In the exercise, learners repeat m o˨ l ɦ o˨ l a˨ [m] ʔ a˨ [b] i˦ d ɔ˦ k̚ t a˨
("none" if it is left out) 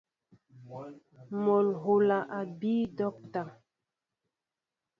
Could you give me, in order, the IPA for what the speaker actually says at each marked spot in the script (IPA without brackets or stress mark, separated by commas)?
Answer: none, b